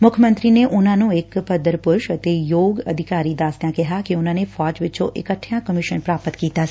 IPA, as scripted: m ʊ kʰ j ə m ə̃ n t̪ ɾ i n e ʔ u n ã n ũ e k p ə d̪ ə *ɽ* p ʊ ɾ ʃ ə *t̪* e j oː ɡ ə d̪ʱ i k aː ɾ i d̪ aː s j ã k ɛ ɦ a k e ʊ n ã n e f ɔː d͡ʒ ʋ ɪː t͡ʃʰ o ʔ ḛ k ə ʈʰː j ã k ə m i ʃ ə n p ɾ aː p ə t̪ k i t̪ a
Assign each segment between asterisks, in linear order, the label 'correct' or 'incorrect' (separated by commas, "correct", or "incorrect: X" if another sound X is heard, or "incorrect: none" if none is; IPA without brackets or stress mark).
incorrect: ɾ, correct